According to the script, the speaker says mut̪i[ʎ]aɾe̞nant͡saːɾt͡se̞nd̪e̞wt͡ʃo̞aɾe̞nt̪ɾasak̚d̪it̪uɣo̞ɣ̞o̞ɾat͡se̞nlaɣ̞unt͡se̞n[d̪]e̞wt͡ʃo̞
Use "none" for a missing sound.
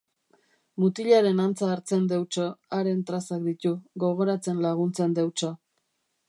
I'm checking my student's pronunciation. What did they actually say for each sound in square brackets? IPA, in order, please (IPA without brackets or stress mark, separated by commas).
ʎ, d̪